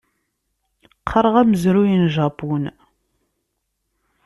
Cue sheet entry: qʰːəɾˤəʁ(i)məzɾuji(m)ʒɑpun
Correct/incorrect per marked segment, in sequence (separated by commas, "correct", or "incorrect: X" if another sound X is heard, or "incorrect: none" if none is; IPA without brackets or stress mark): incorrect: æ, incorrect: n